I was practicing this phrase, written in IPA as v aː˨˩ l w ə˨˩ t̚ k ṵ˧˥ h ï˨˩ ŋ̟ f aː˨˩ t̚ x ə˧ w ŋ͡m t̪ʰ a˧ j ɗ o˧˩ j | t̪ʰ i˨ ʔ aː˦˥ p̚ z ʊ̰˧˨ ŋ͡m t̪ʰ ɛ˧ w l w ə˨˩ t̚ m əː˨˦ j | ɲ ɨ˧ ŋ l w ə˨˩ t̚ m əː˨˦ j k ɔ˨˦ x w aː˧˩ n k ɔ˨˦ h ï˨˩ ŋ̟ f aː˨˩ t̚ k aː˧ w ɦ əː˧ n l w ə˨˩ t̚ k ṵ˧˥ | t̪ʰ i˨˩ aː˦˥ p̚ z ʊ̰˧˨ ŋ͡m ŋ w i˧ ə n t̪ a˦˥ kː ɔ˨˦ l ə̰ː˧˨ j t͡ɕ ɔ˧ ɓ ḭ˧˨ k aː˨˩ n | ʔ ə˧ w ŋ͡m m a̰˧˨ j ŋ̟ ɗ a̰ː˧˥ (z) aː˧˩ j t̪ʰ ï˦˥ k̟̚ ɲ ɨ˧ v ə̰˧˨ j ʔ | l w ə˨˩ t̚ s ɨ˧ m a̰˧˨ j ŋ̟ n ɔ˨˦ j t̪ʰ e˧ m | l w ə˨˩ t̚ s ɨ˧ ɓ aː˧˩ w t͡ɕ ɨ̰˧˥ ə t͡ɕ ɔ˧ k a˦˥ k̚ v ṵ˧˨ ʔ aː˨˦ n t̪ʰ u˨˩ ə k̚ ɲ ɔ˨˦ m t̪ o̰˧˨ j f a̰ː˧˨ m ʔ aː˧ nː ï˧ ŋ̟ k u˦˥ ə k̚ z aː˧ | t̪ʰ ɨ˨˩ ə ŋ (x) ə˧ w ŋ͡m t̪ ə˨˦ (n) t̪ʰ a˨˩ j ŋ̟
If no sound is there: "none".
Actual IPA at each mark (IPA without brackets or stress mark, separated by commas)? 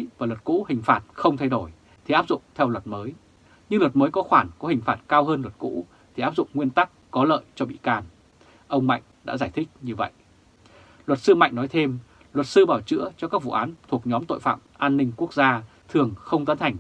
z, x, n